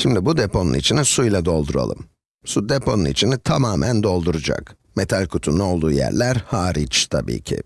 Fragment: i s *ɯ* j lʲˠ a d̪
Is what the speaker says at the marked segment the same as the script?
no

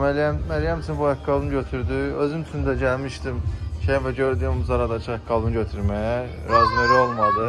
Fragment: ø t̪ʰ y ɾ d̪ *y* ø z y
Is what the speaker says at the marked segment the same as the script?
yes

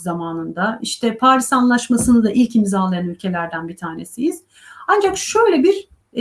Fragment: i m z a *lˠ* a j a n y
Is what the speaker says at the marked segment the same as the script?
yes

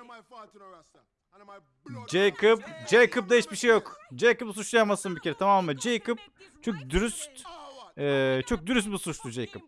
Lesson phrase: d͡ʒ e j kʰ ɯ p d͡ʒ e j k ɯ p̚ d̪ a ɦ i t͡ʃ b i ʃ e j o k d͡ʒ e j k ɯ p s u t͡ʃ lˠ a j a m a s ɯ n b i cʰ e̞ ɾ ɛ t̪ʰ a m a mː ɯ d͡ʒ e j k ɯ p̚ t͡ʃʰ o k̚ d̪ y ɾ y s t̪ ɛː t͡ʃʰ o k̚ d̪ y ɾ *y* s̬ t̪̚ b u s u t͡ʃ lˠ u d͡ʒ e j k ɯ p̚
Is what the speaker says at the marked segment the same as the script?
yes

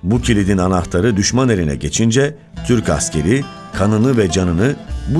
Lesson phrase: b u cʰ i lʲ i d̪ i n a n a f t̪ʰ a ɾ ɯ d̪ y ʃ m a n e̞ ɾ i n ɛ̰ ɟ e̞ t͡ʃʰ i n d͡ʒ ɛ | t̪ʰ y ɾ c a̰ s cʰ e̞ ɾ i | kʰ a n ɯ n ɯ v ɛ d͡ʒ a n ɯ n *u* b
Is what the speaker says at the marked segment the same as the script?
no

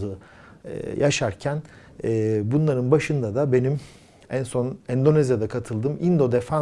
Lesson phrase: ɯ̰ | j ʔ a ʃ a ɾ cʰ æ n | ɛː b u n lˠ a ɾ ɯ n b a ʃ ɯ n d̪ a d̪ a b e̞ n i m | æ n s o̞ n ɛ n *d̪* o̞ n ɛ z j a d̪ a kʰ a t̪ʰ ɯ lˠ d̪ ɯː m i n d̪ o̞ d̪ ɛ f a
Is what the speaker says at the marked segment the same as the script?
yes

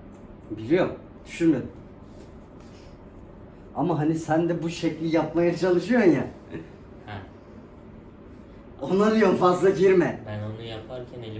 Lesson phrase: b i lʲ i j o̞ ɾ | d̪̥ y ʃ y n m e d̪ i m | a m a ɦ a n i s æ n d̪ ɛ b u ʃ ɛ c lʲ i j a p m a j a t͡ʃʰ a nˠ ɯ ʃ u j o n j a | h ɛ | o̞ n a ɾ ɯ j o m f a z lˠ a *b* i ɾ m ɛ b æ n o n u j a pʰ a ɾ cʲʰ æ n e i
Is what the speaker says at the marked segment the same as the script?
no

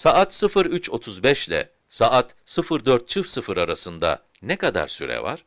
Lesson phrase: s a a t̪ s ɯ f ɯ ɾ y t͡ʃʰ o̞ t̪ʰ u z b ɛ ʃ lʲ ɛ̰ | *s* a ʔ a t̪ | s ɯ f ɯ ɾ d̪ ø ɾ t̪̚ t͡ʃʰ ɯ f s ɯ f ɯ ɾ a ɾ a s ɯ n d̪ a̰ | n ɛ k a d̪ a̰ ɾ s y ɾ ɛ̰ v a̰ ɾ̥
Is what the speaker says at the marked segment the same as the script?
yes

